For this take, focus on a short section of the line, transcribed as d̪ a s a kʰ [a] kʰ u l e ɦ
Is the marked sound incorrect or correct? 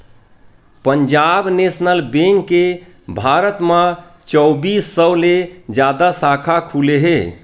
correct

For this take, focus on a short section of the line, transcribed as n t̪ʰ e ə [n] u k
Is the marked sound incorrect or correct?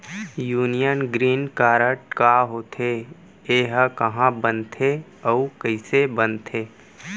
incorrect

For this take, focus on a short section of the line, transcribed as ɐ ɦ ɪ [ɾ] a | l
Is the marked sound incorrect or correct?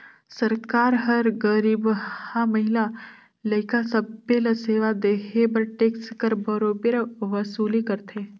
incorrect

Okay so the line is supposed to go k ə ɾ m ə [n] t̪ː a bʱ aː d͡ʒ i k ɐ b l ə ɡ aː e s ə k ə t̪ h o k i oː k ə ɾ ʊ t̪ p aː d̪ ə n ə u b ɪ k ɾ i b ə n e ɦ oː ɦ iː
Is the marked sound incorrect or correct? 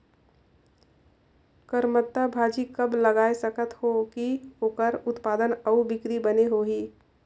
incorrect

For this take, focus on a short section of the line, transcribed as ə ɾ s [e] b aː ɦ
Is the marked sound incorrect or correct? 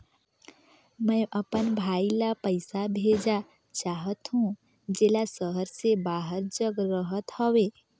correct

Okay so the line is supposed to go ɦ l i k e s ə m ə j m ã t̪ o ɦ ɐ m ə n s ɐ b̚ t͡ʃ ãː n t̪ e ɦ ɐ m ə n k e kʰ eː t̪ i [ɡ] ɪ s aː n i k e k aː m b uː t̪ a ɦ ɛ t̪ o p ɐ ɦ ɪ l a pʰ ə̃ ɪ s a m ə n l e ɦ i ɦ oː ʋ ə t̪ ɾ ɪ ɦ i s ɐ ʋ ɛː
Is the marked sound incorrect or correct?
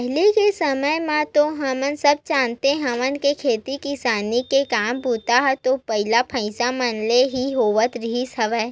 incorrect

